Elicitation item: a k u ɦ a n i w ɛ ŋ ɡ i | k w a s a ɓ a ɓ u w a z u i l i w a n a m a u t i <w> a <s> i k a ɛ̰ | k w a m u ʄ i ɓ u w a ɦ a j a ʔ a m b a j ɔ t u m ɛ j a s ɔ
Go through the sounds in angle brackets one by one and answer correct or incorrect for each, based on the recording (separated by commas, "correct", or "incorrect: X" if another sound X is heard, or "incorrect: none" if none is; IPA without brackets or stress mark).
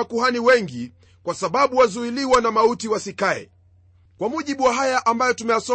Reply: correct, correct